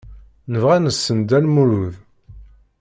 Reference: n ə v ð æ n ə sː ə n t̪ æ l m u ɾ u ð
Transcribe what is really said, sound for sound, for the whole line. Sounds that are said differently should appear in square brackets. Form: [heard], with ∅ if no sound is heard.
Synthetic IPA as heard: n ə v [ʁ] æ n ə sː ə n [d̪] æ l m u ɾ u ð